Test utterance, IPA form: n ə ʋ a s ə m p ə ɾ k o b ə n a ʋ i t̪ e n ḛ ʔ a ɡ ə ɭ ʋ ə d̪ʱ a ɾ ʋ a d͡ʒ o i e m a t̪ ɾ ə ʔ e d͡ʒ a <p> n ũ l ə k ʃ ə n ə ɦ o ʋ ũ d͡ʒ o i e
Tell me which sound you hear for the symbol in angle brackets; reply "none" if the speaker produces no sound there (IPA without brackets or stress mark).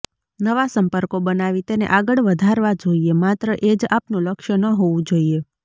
p